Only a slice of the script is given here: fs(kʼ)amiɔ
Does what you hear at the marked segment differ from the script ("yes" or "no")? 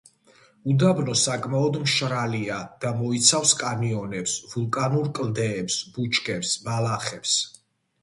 no